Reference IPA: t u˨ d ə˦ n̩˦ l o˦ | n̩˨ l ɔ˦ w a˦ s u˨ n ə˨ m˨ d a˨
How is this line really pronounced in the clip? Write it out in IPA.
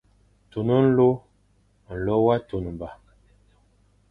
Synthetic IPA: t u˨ n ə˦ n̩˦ l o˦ | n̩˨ l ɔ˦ w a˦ t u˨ n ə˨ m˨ b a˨

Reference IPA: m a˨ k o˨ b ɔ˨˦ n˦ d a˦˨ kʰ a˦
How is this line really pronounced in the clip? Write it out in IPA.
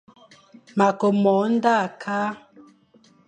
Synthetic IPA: m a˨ k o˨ m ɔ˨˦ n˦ d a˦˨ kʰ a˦

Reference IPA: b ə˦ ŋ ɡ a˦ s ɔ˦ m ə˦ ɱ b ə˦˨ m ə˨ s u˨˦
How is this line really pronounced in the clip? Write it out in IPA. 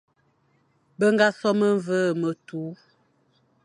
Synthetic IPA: b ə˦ ŋ ɡ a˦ s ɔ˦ m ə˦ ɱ v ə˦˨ m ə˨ t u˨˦

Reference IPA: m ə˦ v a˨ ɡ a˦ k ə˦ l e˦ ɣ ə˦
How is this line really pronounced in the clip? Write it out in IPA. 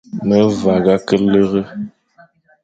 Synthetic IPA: m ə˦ v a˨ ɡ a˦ k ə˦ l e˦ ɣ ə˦

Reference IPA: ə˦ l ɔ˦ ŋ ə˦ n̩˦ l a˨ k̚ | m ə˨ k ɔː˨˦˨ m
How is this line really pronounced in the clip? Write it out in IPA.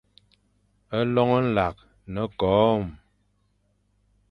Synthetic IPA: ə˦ l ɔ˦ ŋ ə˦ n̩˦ l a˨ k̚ | n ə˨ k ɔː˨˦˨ m

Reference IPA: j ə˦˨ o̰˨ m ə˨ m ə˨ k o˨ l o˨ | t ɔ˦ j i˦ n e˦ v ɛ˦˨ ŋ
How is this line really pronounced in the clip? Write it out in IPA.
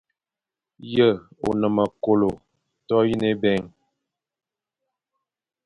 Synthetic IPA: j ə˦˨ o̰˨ n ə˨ m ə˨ k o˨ l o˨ | t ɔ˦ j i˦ n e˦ b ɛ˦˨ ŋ

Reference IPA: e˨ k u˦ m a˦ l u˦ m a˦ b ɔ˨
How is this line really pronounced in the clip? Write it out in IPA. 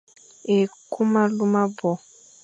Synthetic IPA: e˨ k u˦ m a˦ l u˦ m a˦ b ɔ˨

